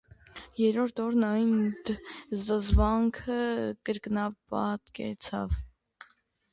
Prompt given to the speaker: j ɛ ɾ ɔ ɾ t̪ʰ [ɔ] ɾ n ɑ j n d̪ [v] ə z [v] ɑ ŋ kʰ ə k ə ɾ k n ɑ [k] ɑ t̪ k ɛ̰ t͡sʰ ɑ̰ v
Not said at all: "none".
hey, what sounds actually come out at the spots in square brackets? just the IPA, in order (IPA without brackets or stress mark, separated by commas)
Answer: ɔ, z, v, p